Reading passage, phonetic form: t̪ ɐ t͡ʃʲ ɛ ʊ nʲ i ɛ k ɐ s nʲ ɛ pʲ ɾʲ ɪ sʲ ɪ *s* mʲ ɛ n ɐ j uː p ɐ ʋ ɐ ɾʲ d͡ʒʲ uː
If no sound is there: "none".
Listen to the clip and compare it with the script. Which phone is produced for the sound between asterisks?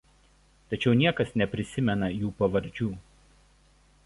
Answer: none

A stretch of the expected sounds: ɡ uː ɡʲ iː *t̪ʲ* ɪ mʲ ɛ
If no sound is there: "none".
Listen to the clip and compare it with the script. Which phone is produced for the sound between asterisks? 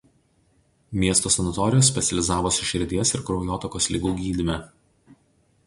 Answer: d̪ʲ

